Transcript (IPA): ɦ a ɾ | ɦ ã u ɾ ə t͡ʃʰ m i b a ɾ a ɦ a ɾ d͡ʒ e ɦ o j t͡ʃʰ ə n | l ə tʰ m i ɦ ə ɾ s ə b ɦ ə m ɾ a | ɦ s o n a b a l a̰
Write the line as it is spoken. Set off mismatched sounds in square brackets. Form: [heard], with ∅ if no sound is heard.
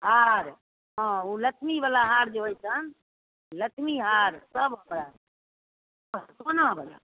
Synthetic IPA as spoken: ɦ a ɾ | ɦ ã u [l] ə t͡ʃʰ m i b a [l] a ɦ a ɾ d͡ʒ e ɦ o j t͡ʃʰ ə n | l ə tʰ m i ɦ [a] ɾ s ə b ɦ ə m ɾ a | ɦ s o n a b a l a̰